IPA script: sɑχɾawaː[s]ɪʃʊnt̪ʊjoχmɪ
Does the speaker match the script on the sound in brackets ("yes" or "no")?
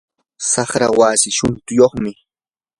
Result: yes